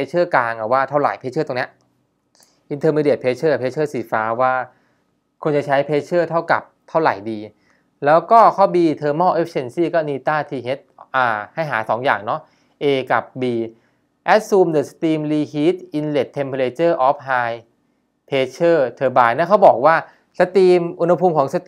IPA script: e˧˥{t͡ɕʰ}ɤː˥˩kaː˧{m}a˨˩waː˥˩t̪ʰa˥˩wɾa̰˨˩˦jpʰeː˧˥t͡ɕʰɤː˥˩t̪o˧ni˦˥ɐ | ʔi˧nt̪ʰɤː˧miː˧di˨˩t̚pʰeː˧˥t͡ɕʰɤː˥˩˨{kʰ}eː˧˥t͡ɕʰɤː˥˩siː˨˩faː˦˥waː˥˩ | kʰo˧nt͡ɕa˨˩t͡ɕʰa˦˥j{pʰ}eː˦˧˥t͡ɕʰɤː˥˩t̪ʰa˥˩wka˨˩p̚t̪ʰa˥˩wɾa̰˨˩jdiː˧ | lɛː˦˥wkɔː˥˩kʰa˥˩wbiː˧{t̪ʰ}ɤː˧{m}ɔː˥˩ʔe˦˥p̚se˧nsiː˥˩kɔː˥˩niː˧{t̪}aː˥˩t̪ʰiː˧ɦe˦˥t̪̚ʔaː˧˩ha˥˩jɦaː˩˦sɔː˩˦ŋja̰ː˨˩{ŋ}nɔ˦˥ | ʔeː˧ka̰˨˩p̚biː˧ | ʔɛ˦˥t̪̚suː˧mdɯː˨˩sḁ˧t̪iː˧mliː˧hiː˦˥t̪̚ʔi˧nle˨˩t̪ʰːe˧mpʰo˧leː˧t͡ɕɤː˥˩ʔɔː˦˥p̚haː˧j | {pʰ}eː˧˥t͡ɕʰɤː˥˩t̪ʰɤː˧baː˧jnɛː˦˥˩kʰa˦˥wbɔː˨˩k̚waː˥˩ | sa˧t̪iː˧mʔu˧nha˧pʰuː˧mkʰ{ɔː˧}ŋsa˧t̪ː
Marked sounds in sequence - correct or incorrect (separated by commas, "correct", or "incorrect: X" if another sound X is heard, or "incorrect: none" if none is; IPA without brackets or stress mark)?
correct, incorrect: ŋ, incorrect: pʰ, correct, correct, correct, correct, correct, correct, incorrect: ɔː˩˦